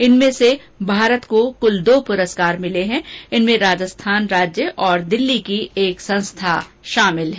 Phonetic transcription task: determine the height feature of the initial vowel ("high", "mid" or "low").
high